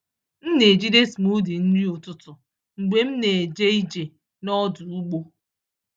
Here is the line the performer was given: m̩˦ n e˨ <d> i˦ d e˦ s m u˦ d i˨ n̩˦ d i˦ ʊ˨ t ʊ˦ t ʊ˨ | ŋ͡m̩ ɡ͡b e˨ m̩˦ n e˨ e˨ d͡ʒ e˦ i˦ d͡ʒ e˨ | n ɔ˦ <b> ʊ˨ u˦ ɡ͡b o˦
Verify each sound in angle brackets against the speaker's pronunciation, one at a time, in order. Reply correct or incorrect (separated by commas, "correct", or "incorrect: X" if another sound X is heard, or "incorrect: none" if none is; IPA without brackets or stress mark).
incorrect: d͡ʒ, incorrect: d